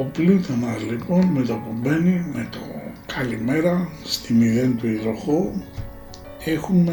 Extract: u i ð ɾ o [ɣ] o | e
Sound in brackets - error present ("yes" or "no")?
yes